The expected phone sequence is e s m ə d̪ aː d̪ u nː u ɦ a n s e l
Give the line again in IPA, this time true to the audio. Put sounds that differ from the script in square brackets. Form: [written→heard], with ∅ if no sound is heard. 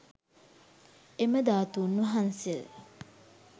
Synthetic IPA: e [s→∅] m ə d̪ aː [d̪→t̪] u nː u ɦ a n s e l